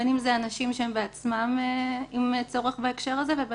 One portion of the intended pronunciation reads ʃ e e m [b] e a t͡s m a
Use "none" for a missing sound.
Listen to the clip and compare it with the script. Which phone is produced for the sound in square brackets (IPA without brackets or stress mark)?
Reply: b